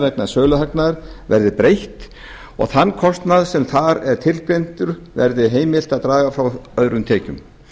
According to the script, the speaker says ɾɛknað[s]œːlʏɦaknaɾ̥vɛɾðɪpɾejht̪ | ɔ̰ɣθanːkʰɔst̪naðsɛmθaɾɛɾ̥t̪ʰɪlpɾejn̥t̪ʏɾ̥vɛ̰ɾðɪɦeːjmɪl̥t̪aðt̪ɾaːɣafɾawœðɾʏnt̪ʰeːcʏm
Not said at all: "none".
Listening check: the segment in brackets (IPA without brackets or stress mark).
s